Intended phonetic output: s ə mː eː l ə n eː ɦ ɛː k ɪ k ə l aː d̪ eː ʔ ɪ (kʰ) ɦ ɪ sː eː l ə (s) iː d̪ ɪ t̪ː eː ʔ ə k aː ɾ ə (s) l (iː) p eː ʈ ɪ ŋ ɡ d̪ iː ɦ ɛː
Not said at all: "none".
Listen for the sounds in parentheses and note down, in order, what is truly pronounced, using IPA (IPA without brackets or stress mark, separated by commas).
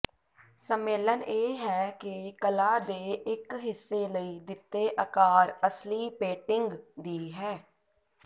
k, none, s, iː